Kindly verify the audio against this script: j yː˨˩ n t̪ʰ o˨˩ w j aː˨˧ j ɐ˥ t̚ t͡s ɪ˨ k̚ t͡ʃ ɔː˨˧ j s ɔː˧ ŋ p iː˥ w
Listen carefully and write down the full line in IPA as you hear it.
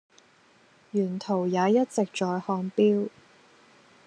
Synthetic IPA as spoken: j yː˨˩ n t̪ʰ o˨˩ w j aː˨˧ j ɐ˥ t̚ t͡s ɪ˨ k̚ t͡ʃ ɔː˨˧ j h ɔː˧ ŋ p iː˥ w